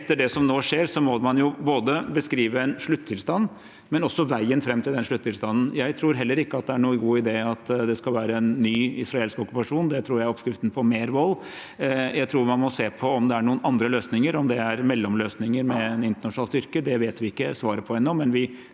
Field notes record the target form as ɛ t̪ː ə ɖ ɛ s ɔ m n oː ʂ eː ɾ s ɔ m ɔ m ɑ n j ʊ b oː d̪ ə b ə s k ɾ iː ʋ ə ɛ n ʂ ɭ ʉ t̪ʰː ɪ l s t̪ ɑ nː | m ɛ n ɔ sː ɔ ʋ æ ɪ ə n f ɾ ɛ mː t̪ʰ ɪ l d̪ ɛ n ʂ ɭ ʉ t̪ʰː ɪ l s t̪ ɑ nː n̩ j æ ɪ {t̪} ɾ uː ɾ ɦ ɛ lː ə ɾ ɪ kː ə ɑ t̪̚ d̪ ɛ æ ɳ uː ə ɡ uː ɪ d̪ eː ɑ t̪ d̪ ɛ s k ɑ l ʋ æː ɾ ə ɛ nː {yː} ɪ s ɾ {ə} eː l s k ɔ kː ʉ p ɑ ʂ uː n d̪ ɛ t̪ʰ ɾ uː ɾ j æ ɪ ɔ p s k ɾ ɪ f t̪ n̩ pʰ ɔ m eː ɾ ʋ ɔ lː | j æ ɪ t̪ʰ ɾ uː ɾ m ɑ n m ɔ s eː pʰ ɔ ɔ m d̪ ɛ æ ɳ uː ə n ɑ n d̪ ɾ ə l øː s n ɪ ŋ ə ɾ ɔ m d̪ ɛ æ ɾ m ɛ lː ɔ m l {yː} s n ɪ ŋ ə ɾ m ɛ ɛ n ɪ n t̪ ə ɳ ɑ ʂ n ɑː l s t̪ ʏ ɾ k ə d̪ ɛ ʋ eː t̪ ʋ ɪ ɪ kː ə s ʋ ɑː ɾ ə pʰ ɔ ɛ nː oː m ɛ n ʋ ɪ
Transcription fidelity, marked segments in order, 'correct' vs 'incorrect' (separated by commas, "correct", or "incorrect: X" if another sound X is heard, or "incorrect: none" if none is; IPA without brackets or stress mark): incorrect: t̪ʰ, correct, incorrect: ɑ, incorrect: øː